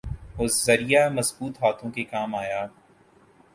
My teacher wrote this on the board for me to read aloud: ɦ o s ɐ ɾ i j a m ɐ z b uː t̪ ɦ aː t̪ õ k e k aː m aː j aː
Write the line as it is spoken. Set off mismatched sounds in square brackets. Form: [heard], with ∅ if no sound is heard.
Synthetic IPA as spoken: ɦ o [z] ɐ ɾ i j a m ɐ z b uː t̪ ɦ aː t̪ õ k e k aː m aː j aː